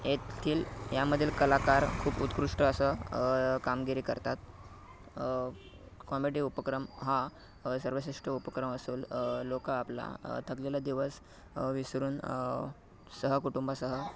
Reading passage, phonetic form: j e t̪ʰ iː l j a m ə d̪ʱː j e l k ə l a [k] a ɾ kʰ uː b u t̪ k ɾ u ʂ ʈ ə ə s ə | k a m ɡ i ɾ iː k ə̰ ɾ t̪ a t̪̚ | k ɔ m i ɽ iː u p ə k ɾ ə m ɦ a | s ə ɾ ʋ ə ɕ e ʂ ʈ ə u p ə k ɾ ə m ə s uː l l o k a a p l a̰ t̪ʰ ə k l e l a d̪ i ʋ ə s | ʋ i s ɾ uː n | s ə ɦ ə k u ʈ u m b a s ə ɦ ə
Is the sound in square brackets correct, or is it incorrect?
correct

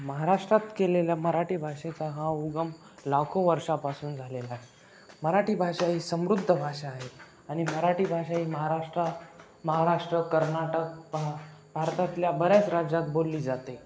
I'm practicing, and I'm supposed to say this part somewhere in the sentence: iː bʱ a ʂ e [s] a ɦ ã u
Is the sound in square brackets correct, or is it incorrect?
incorrect: t͡s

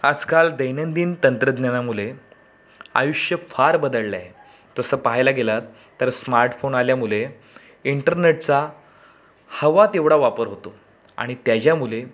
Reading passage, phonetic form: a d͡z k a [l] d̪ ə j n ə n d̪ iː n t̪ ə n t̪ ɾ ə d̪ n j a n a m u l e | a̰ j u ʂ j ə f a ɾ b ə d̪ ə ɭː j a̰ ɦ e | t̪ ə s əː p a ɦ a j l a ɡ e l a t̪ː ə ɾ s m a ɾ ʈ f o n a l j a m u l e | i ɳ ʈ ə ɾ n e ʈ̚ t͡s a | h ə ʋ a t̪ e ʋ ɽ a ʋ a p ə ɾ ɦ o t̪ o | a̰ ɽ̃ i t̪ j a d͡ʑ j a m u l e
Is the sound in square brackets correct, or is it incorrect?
correct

